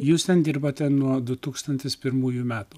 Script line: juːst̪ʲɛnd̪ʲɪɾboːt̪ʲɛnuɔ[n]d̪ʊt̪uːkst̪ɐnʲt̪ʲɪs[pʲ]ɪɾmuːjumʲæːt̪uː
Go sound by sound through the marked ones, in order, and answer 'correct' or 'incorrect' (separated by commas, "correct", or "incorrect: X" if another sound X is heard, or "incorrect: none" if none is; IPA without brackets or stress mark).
incorrect: none, correct